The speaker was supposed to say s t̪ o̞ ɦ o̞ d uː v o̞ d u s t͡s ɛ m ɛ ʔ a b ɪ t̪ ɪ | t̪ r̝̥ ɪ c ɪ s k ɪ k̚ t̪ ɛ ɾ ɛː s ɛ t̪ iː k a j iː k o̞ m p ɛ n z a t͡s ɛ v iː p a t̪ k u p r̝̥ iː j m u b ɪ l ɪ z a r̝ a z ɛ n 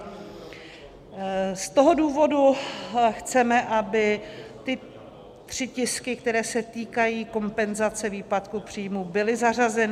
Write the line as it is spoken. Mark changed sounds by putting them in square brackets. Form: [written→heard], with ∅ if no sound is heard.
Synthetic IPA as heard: s t̪ o̞ ɦ o̞ d uː v o̞ d u [s→x] t͡s ɛ m ɛ ʔ a b ɪ t̪ ɪ | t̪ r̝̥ ɪ c ɪ s k ɪ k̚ t̪ ɛ ɾ ɛː s ɛ t̪ iː k a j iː k o̞ m p ɛ n z a t͡s ɛ v iː p a t̪ k u p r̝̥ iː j m u b ɪ l ɪ z a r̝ a z ɛ n